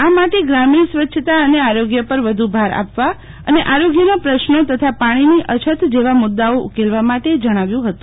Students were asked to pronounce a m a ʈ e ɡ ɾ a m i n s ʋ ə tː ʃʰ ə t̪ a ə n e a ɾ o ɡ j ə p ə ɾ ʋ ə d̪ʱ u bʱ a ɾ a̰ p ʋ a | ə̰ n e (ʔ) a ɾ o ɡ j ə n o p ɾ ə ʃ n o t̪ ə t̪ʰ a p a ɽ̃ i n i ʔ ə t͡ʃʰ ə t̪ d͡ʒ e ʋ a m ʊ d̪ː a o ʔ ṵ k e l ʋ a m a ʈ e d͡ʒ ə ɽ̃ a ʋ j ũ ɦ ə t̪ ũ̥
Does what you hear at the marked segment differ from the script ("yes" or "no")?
no